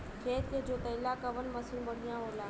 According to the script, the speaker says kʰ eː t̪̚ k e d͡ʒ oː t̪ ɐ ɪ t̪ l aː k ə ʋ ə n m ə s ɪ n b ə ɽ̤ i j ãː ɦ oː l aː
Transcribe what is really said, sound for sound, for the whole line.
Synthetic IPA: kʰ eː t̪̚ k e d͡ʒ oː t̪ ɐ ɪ l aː k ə ʋ ə n m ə s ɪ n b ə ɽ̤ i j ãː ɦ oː l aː